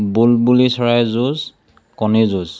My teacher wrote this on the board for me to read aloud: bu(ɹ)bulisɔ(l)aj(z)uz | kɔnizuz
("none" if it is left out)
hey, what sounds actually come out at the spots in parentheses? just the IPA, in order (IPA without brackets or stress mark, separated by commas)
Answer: l, ɹ, z